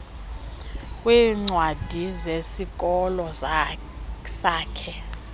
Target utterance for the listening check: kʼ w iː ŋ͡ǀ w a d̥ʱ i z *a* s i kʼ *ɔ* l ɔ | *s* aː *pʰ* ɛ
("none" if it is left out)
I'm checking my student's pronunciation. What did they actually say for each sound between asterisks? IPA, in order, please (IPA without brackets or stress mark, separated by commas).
e, ɔ, s, kʰ